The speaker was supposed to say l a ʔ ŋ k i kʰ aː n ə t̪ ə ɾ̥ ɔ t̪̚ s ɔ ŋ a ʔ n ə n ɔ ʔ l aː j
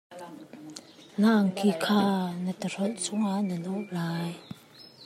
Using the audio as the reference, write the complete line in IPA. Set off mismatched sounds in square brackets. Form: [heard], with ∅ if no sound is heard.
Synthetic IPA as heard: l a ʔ ŋ k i kʰ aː n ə t̪ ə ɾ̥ ɔ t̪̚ s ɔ ŋ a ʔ n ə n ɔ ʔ l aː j